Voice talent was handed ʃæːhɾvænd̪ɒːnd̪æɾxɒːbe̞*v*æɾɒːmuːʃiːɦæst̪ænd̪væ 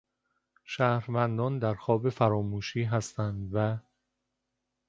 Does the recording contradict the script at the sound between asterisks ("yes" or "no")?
yes